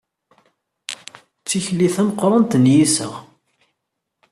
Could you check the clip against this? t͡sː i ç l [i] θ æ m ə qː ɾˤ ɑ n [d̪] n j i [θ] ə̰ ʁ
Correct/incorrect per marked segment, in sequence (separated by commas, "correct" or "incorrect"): correct, incorrect, incorrect